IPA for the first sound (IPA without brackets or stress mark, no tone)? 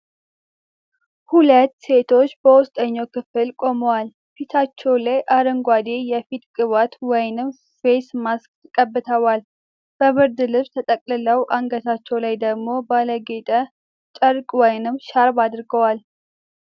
h